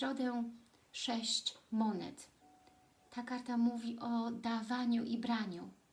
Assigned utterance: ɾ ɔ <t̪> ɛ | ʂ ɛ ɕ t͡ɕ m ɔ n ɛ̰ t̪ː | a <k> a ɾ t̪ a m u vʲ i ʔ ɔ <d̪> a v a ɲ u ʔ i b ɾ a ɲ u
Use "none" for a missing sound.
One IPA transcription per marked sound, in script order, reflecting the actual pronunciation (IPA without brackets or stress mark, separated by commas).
d̪, k, d̪